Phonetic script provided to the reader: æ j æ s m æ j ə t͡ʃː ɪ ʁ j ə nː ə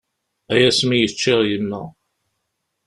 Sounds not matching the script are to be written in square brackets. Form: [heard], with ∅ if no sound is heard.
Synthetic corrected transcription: æ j æ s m [i] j ə t͡ʃː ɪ ʁ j ə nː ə